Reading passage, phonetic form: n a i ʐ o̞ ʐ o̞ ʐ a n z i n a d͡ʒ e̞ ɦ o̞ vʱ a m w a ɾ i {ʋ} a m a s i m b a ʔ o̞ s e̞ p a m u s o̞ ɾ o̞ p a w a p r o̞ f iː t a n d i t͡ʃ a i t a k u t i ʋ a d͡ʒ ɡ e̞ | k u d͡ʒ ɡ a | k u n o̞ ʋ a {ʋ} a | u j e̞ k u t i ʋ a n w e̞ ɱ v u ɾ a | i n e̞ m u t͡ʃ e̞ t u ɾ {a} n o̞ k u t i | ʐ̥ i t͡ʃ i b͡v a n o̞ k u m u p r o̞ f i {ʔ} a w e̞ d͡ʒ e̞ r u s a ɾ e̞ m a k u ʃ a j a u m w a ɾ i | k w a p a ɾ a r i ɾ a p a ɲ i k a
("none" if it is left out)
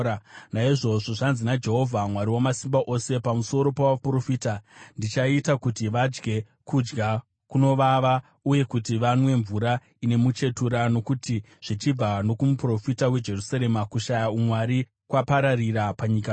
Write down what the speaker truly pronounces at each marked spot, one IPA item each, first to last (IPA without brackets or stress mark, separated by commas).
w, ʋ, a, t